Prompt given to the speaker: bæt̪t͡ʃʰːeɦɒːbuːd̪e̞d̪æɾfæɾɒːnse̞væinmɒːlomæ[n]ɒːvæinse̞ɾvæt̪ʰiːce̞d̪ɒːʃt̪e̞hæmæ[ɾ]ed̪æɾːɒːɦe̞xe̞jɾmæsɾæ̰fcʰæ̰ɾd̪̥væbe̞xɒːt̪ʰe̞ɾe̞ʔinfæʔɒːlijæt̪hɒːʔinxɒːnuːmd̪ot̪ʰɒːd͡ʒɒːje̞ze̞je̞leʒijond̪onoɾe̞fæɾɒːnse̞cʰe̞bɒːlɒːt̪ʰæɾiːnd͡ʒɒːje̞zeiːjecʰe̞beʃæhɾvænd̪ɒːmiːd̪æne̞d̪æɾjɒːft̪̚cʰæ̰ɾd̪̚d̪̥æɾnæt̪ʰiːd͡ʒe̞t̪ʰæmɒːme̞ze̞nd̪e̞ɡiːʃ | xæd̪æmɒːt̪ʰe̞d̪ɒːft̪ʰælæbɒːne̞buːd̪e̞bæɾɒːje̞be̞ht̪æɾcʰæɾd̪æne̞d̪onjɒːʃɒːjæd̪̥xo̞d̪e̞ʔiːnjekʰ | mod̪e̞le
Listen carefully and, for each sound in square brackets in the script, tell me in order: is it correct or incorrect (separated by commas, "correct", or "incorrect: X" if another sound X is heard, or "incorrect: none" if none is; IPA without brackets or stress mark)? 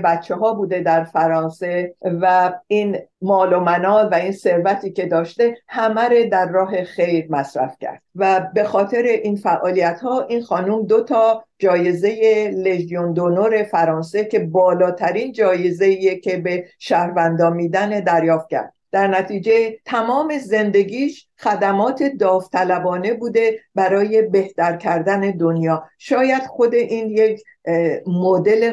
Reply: correct, correct